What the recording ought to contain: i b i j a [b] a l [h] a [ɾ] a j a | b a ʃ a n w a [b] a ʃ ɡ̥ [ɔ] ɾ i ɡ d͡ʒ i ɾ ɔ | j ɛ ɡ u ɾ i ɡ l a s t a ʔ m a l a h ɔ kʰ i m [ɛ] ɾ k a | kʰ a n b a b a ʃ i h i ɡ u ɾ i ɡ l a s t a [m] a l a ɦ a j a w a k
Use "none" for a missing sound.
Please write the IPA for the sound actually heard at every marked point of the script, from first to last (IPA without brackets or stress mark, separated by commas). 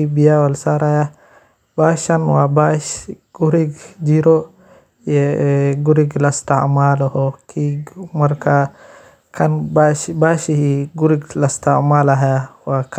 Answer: w, s, ɾ, b, u, a, m